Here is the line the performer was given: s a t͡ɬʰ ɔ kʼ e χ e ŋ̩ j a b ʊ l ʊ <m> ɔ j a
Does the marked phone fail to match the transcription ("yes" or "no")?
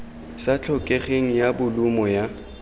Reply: no